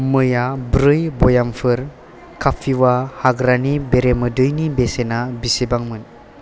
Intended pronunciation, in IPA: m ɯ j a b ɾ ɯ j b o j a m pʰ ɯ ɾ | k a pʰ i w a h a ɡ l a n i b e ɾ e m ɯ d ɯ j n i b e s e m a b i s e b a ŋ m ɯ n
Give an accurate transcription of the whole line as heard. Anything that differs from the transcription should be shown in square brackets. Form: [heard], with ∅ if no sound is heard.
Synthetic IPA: m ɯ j a b ɾ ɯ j b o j a m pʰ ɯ ɾ | k a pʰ i w a h a ɡ [ɾ] a n i b e ɾ e m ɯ d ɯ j n i b e s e [n] a b i s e b a ŋ m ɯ n